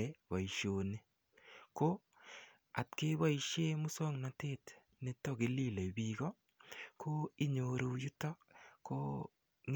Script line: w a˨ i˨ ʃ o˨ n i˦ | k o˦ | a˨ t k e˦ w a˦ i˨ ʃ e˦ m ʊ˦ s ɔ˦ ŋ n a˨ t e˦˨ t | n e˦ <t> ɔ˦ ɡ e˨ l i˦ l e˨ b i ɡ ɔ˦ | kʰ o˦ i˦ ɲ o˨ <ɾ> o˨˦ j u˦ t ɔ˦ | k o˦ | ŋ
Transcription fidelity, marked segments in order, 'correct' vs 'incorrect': correct, correct

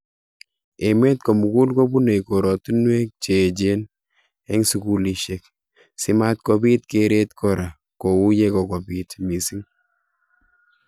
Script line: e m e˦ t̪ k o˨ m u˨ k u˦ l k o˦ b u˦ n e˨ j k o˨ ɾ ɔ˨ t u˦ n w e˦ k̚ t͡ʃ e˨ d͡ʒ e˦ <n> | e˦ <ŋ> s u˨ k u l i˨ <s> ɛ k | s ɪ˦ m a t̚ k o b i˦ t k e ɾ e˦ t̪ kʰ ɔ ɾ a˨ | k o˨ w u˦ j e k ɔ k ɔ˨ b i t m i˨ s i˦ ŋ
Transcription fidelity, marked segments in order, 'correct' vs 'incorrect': correct, correct, incorrect

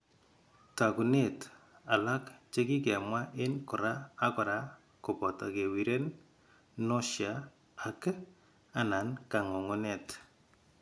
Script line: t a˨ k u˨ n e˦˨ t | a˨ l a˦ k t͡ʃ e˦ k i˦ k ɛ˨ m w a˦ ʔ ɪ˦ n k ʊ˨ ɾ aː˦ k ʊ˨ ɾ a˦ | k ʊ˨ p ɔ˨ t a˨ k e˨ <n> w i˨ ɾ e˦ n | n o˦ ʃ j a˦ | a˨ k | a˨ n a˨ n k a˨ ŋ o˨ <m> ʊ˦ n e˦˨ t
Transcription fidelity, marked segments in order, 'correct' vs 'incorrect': incorrect, incorrect

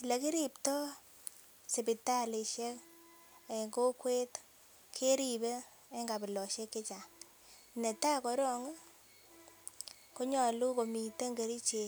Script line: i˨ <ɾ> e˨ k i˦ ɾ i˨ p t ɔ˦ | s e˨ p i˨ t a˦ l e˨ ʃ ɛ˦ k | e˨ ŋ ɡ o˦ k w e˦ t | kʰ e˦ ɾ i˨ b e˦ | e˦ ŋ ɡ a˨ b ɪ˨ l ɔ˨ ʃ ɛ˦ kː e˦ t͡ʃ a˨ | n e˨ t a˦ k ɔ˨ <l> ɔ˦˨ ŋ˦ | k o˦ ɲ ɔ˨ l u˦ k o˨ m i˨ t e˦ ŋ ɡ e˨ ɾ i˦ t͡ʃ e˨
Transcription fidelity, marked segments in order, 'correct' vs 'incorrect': incorrect, incorrect

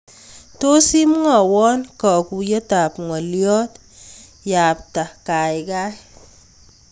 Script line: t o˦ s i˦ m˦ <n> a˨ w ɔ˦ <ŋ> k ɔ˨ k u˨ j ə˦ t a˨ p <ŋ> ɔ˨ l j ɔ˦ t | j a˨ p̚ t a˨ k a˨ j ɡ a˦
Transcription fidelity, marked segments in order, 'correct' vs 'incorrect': incorrect, incorrect, correct

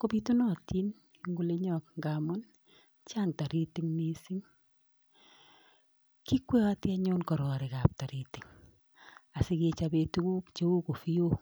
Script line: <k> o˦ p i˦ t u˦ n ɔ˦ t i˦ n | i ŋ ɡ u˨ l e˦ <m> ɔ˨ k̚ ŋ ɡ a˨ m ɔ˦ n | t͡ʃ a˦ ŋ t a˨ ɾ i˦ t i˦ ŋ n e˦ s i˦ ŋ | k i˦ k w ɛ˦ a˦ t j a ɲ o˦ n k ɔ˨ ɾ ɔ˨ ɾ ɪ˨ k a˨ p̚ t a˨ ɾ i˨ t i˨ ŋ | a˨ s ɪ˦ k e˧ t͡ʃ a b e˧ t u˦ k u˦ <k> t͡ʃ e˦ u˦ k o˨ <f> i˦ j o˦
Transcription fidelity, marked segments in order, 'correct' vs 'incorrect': correct, incorrect, correct, correct

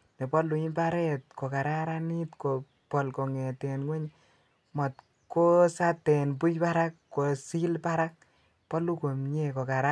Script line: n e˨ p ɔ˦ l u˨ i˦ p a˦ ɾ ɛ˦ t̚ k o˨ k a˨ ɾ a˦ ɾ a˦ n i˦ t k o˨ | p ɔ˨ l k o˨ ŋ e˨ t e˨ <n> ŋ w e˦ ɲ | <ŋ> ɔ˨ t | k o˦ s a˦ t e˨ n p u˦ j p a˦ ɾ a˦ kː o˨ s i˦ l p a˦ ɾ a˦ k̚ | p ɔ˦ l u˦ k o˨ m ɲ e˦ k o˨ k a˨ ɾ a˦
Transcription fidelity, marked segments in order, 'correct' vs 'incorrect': correct, incorrect

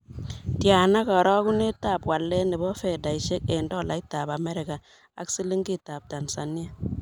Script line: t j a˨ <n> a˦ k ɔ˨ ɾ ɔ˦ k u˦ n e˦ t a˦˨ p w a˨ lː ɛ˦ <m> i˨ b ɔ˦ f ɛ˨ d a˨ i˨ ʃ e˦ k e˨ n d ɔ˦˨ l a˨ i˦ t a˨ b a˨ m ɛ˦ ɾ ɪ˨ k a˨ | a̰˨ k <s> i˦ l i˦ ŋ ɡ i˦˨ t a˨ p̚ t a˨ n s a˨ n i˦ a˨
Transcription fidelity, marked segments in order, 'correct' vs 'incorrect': correct, incorrect, correct

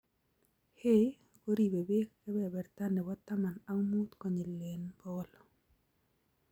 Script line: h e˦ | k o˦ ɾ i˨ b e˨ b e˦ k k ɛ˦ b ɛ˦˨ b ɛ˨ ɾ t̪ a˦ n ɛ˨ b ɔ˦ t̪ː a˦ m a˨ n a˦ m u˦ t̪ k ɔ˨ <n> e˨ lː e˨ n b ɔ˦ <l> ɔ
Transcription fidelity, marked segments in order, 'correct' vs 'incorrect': incorrect, correct

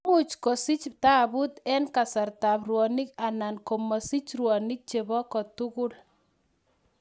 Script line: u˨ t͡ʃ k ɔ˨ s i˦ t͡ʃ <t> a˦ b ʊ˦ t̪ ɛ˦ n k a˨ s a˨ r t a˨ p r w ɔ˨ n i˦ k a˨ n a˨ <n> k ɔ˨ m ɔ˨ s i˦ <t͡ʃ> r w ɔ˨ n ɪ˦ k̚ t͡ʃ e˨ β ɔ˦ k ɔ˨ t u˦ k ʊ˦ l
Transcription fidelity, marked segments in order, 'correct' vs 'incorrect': correct, correct, correct

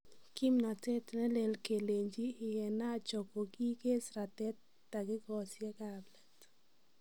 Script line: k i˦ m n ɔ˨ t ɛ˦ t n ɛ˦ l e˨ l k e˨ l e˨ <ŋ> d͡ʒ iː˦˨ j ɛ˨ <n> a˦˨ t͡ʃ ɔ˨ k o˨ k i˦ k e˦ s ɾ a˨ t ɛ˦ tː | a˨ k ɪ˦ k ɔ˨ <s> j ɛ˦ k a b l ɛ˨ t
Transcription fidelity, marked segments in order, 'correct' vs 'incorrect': incorrect, correct, correct

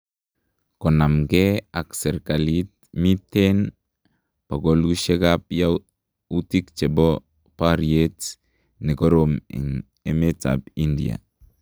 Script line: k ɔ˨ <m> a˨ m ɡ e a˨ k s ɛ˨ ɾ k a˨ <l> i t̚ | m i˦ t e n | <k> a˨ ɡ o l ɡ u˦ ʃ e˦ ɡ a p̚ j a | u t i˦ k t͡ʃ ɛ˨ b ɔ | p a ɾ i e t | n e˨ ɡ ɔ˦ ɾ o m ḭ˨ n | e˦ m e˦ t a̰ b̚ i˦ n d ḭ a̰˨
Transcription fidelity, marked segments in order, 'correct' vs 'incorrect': incorrect, correct, incorrect

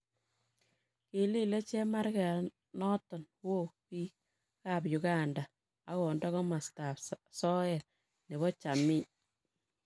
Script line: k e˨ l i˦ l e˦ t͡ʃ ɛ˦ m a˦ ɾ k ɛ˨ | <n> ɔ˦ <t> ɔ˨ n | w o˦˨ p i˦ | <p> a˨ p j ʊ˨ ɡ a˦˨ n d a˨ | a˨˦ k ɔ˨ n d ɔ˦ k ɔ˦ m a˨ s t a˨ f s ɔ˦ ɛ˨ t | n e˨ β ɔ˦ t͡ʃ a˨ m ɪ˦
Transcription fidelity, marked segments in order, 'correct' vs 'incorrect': correct, correct, incorrect

